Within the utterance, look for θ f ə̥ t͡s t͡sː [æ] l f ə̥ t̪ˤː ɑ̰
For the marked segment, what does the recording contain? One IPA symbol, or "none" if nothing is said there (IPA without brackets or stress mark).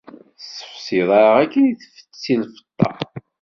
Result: i